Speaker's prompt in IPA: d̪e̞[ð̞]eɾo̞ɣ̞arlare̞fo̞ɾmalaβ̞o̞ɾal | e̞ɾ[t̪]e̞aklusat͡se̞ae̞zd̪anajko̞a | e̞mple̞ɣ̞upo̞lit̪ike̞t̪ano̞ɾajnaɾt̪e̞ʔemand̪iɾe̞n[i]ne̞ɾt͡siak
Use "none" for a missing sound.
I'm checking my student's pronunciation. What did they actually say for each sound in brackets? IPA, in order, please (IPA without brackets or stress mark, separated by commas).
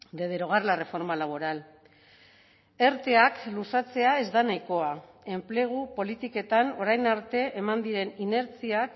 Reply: ð̞, t̪, i